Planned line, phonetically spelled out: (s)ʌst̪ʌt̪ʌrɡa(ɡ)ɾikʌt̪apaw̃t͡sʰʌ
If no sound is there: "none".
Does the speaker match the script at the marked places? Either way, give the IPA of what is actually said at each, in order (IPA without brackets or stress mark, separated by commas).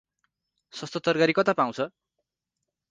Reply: s, none